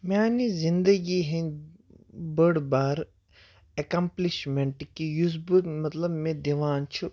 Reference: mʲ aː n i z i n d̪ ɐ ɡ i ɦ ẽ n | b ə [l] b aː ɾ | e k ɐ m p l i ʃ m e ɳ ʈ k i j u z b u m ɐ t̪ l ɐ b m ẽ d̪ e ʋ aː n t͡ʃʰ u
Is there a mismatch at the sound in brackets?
yes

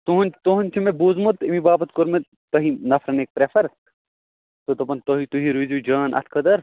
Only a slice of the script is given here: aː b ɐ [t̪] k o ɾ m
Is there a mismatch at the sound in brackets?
no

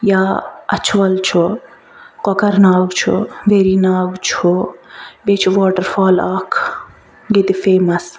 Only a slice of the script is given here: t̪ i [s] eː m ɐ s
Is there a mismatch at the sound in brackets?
yes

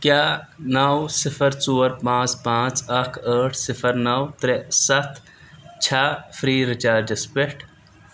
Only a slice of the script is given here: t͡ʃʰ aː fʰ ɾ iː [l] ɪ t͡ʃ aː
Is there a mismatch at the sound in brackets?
yes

